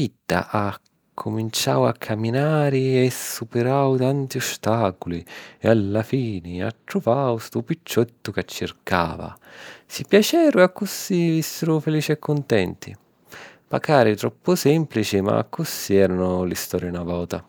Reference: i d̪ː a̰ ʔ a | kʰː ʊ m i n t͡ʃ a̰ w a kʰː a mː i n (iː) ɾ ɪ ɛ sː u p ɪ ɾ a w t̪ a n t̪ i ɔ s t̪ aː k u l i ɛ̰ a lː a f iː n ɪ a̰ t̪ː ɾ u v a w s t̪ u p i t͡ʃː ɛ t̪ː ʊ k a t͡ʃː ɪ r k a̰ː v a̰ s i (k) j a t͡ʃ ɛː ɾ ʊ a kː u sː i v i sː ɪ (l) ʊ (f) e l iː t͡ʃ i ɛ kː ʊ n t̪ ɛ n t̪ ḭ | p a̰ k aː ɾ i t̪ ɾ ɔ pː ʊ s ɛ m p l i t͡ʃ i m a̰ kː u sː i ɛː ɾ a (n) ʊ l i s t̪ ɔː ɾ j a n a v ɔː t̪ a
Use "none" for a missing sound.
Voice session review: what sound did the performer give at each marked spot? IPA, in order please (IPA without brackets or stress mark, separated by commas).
aː, p, ɾ, f, n